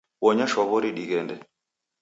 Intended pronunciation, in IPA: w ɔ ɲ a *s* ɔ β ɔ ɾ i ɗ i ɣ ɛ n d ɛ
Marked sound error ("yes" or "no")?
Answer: yes